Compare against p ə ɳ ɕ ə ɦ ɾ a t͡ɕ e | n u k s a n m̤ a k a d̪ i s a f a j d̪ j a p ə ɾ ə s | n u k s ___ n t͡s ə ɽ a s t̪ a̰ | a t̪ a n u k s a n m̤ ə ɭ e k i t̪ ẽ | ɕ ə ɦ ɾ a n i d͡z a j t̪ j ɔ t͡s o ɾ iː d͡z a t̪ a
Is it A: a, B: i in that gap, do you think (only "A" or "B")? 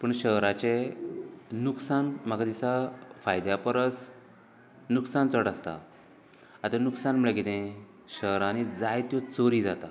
A